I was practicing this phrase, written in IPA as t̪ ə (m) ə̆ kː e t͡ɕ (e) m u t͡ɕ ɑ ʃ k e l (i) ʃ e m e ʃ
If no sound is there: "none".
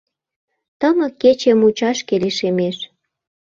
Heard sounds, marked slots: m, e, e

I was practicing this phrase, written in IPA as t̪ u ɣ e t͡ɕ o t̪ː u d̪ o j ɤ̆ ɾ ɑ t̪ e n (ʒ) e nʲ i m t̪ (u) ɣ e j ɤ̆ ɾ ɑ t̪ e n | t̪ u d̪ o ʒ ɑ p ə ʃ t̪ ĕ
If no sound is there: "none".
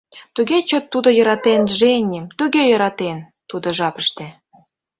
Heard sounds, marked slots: ʒ, u

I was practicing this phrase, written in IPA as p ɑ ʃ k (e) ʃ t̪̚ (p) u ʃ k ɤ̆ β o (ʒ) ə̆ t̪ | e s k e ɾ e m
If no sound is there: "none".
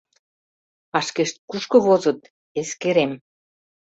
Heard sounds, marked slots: e, k, z

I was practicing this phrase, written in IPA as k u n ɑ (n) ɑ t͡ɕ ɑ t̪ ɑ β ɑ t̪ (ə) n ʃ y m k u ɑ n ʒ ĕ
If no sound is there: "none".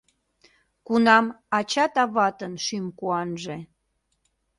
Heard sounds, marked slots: m, ə

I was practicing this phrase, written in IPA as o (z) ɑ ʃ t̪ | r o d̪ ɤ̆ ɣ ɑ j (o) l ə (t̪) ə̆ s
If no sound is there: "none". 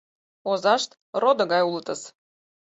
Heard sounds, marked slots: z, u, t̪

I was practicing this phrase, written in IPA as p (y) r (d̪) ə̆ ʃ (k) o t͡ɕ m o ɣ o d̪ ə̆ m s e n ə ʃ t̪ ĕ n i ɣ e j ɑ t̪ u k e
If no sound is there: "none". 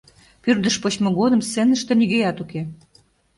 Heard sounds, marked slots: y, d̪, p

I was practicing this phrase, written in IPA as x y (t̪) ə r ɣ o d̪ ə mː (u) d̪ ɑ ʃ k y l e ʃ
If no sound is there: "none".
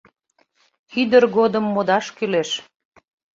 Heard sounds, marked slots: d̪, o

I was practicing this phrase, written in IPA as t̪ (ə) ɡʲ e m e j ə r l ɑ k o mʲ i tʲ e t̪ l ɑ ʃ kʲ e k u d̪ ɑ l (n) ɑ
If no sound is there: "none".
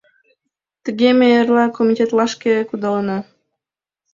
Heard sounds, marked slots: ə, n

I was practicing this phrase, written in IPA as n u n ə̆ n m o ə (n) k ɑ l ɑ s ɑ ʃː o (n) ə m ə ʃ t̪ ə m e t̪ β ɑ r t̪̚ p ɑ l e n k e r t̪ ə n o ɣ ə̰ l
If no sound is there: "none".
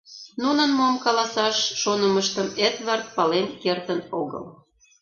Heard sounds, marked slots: m, n

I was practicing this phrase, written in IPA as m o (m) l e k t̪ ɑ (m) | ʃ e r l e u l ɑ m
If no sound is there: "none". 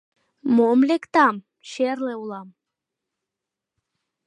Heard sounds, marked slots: m, m

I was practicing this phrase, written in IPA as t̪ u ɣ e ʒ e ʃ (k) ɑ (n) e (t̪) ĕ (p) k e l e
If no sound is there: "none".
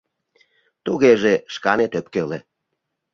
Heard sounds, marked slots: k, n, t̪, p

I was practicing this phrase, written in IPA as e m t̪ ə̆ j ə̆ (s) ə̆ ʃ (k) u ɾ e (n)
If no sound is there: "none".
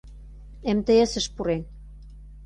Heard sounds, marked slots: s, p, n

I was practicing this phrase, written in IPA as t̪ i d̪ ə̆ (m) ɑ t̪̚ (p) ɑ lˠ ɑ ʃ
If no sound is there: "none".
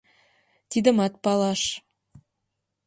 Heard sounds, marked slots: m, p

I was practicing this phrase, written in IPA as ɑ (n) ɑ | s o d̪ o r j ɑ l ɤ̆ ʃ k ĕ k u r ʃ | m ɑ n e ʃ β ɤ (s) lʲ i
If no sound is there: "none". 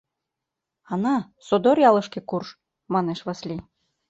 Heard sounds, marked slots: n, s

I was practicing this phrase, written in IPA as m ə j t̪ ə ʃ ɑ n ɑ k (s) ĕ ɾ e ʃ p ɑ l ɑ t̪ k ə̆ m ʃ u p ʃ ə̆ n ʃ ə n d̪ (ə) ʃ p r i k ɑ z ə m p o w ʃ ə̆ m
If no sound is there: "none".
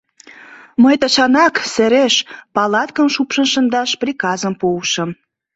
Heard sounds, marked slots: s, ɑ

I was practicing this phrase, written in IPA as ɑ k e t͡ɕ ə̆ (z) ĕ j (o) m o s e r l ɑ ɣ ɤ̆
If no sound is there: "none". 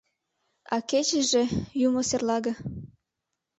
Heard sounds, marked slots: ʒ, u

